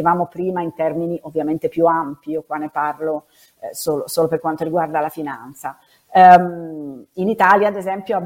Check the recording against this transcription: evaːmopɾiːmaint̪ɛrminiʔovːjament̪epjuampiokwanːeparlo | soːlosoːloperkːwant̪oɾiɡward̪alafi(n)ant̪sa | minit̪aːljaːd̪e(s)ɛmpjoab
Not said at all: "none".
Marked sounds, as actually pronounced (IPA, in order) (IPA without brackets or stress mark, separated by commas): n, z